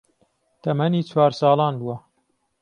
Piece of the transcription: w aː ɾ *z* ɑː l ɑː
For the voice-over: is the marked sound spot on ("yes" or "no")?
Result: no